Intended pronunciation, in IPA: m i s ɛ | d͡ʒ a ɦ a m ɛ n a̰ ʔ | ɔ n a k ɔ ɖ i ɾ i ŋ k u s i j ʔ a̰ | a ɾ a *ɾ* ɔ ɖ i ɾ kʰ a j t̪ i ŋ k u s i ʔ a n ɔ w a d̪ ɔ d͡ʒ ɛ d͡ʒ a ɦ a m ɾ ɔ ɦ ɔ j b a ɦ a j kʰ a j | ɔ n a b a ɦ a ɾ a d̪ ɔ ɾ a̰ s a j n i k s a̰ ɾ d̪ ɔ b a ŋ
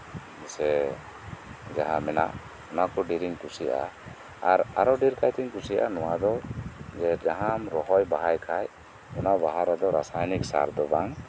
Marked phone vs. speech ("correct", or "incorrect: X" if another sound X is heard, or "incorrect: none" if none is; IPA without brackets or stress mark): correct